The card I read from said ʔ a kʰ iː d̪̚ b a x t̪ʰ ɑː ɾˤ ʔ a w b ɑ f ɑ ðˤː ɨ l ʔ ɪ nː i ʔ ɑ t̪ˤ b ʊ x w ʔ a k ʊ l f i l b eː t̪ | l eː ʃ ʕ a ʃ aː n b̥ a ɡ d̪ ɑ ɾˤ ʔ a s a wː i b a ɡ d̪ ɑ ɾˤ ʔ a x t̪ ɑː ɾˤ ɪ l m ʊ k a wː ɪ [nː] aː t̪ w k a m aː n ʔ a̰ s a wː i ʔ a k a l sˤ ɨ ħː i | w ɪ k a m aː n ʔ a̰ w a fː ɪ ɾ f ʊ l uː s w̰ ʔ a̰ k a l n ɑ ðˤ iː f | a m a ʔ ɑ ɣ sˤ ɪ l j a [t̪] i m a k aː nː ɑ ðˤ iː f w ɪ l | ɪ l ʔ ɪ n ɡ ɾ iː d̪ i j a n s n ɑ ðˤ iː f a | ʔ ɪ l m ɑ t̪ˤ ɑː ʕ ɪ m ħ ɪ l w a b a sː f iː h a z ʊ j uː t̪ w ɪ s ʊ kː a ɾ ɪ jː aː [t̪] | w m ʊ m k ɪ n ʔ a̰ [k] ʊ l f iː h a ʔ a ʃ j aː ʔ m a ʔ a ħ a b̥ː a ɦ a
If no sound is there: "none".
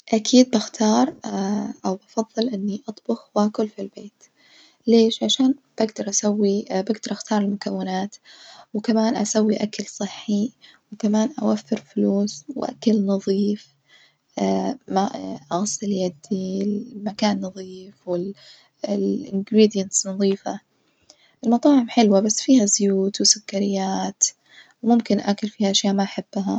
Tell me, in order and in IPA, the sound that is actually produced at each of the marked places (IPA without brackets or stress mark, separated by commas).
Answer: n, d̪, t̪, k